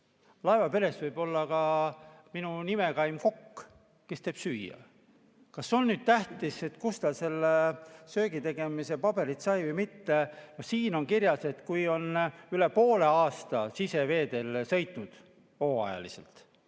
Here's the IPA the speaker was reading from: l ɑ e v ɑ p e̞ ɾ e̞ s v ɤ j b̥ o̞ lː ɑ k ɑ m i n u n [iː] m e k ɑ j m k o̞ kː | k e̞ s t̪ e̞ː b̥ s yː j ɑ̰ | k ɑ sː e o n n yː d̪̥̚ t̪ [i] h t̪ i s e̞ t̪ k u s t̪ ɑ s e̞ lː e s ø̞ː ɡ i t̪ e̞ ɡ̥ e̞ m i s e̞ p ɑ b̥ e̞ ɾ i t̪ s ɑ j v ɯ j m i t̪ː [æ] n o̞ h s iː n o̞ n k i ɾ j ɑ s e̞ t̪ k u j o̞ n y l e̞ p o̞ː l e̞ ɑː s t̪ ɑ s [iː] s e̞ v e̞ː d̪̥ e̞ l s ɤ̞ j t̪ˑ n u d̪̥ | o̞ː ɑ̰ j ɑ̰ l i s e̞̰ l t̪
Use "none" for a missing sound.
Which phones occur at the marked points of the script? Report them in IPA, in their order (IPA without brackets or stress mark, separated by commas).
i, æ, e, i